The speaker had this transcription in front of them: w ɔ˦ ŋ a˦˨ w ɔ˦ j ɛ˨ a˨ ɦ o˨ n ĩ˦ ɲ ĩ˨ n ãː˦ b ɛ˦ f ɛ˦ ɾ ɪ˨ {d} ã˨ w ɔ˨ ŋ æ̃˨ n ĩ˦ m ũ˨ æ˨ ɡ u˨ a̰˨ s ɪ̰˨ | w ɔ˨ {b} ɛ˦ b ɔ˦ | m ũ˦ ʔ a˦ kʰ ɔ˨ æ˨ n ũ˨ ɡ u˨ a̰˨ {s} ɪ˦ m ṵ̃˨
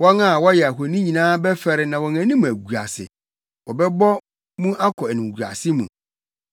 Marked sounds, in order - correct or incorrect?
incorrect, correct, correct

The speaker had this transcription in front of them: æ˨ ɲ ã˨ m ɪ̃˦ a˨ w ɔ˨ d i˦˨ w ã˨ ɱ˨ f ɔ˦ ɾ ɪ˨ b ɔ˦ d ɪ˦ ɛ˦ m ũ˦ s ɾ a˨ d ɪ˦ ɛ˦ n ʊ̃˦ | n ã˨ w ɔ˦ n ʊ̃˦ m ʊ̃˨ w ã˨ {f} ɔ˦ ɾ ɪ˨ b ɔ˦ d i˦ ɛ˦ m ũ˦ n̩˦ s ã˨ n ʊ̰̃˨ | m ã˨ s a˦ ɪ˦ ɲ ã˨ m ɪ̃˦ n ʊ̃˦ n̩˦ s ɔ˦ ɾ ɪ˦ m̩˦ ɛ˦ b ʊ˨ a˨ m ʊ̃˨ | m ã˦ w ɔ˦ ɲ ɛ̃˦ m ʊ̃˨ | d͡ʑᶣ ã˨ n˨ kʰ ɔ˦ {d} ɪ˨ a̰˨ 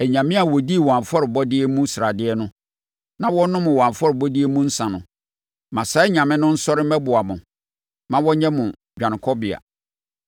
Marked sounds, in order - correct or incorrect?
correct, incorrect

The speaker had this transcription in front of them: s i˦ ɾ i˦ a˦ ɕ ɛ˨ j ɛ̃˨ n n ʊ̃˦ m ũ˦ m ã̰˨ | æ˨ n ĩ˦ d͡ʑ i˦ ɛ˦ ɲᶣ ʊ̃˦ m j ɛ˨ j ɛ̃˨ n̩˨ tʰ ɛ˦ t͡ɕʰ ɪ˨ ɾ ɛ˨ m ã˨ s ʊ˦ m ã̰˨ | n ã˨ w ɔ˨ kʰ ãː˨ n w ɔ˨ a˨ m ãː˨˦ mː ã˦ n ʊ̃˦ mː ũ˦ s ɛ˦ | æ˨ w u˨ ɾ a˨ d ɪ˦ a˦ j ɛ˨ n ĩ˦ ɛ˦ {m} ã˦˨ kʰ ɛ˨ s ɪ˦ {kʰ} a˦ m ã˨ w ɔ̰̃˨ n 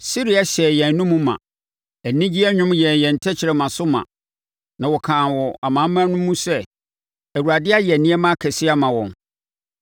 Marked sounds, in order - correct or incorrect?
correct, incorrect

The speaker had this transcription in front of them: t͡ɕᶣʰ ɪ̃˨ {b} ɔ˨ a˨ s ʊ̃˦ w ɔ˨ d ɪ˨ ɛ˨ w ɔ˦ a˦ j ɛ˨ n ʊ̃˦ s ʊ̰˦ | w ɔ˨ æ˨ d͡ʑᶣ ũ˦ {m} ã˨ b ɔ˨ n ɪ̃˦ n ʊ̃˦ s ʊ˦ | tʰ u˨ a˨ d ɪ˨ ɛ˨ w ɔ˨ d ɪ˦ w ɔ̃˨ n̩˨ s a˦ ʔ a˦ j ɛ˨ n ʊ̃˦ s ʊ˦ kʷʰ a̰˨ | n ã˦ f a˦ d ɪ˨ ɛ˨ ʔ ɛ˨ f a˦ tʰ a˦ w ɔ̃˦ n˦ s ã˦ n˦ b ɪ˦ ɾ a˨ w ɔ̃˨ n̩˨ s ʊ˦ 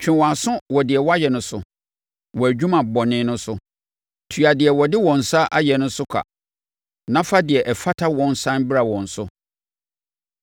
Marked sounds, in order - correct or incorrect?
incorrect, correct

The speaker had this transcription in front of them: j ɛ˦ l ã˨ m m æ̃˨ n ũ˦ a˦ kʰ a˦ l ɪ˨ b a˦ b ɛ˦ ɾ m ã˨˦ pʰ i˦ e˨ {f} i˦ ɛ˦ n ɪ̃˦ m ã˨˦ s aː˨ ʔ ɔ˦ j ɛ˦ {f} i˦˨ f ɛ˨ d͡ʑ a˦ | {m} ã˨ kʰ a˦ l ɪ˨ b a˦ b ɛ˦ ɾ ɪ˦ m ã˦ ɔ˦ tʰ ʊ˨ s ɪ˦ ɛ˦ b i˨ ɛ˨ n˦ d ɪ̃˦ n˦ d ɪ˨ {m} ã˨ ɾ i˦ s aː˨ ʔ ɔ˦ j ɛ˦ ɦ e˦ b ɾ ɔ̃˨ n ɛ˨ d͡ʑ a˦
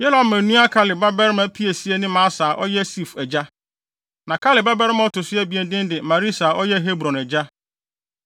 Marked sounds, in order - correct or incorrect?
incorrect, incorrect, incorrect, correct

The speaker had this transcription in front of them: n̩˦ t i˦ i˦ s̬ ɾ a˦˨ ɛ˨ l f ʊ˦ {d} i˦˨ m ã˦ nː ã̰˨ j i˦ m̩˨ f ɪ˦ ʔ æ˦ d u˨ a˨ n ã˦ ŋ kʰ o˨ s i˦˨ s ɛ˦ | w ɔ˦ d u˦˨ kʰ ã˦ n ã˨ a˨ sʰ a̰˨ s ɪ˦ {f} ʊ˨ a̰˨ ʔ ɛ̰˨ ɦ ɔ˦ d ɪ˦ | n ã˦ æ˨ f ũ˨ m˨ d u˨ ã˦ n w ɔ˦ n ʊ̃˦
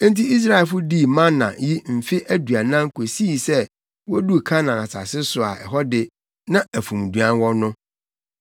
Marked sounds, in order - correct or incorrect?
correct, incorrect

